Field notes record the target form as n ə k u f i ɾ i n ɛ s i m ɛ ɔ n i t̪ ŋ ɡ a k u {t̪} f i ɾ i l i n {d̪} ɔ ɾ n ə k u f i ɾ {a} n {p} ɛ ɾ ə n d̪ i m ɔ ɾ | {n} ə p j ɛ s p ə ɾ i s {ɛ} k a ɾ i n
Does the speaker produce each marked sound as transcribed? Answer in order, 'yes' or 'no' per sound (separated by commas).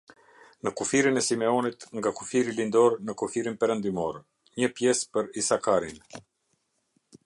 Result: no, yes, no, yes, no, no